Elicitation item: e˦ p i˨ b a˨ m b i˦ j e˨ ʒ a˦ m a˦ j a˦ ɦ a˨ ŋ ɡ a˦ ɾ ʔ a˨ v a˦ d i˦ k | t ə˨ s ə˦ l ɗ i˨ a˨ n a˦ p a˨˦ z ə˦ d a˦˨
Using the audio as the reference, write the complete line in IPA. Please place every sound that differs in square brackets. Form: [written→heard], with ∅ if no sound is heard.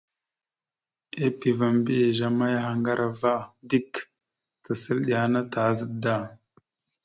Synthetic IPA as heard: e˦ p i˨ [b→v] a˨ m b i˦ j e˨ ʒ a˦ m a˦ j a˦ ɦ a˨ ŋ ɡ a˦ ɾ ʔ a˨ v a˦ d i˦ k | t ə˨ s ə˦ l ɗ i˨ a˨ n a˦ [p→t] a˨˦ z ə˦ d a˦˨